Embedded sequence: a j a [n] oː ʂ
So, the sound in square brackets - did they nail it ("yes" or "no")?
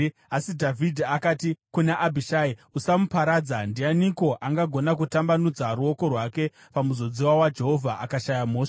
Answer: no